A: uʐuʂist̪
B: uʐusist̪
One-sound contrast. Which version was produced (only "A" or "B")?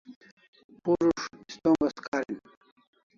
A